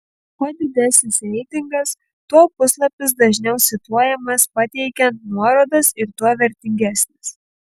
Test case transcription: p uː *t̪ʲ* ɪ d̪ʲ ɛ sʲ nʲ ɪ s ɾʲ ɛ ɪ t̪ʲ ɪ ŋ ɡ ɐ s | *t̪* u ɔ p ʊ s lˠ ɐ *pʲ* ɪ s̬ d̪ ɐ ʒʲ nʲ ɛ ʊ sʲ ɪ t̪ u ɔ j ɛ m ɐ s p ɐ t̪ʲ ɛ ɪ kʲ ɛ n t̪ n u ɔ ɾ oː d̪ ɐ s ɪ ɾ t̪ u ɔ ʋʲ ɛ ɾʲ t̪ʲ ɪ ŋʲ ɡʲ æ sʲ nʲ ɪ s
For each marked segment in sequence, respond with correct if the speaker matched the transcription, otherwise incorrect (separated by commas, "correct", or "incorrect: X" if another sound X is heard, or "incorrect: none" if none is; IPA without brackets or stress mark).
incorrect: d̪ʲ, correct, correct